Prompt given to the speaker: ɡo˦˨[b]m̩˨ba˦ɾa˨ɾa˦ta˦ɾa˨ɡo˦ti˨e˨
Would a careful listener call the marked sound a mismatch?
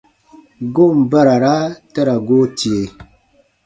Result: yes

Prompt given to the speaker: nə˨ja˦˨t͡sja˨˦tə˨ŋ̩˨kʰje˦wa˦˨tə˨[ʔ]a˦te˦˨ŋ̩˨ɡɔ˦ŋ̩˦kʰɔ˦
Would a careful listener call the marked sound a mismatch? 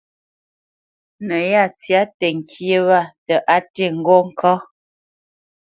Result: no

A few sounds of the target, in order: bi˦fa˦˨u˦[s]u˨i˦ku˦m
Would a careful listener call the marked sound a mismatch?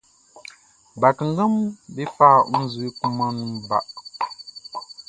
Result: yes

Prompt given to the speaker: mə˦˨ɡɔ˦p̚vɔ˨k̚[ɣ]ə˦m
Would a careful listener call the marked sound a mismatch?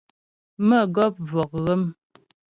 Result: no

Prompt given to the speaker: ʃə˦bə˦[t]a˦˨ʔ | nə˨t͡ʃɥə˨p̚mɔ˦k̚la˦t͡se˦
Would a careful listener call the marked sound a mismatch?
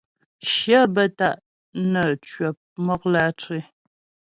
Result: no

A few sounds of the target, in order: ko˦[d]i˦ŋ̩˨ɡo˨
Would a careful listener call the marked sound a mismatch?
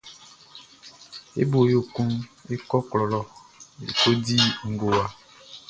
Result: no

